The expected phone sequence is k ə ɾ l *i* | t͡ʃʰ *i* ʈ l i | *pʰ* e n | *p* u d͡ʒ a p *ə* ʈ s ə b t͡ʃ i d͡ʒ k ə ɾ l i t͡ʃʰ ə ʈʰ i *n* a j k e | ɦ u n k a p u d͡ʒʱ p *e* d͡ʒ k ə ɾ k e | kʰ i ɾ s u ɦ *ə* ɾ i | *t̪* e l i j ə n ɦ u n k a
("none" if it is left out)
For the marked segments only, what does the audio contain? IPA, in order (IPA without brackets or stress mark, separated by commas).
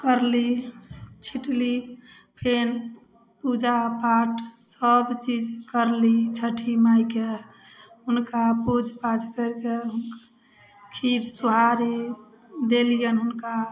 i, i, pʰ, p, a, m, a, a, d̪